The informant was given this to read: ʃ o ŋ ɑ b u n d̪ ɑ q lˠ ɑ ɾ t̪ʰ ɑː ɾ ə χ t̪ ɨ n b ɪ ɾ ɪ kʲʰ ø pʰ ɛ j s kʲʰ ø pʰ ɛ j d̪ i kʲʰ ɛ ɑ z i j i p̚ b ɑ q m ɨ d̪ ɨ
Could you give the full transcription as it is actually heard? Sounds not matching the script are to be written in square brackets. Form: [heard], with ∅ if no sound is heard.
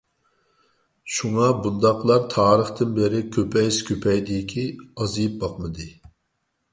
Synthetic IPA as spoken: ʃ [u] ŋ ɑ b u n d̪ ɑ q lˠ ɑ ɾ t̪ʰ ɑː ɾ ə χ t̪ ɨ n b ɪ ɾ ɪ kʲʰ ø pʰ ɛ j s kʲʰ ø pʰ ɛ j d̪ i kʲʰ [i] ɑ z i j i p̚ b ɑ q m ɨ d̪ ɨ